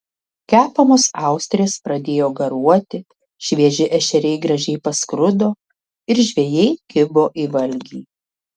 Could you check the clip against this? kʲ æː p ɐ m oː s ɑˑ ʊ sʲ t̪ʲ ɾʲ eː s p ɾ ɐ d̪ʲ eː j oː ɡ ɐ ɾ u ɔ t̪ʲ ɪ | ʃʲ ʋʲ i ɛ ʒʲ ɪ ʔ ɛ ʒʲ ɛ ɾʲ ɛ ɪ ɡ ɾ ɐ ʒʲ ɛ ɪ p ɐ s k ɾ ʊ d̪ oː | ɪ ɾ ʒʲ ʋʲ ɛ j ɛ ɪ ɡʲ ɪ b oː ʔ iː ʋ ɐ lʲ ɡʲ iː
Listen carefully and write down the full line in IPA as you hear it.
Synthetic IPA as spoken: kʲ æː p ɐ m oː s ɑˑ ʊ sʲ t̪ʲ ɾʲ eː s p ɾ ɐ d̪ʲ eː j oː ɡ ɐ ɾ u ɔ t̪ʲ ɪ | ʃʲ ʋʲ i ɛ ʒʲ ɪ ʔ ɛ ʃʲ ɛ ɾʲ ɛ ɪ ɡ ɾ ɐ ʒʲ ɛ ɪ p ɐ s k ɾ ʊ d̪ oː | ɪ ɾ ʒʲ ʋʲ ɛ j ɛ ɪ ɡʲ ɪ b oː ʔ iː ʋ ɐ lʲ ɡʲ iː